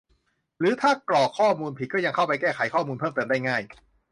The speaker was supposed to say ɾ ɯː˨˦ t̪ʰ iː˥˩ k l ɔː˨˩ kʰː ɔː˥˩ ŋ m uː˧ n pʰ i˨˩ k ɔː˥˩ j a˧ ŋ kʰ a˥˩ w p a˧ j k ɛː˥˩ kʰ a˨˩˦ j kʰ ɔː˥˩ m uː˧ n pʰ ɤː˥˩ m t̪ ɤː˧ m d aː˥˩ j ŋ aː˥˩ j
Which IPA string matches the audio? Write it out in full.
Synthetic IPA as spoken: ɾ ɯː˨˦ t̪ʰ aː˥˩ k l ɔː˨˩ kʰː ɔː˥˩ m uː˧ n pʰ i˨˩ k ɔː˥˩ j a˧ ŋ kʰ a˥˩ w p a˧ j k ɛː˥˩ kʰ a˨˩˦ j kʰ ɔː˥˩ m uː˧ n pʰ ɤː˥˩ m t̪ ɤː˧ m d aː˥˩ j ŋ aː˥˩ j